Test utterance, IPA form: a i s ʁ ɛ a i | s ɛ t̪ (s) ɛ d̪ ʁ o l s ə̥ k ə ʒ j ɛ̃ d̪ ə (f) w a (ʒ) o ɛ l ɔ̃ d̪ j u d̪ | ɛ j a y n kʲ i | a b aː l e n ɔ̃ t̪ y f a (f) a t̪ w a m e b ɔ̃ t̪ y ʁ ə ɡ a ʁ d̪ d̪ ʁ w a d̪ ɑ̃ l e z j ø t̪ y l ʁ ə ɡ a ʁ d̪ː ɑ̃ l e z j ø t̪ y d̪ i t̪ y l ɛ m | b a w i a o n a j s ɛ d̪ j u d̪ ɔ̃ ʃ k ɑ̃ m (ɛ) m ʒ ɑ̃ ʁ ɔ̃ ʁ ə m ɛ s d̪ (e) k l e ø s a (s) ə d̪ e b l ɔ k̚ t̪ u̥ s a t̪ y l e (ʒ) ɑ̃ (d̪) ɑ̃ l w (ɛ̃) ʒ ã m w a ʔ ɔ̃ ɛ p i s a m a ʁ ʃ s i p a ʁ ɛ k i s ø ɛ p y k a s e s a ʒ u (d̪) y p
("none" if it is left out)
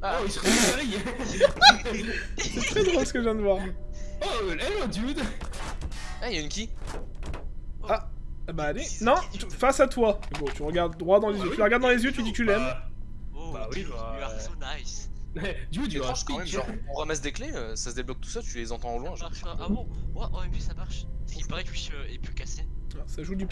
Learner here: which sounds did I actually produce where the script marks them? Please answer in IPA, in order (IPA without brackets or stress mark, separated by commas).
χ, v, ʁ, s, ɛ, e, s, z, t̪, ɛ̃, d̪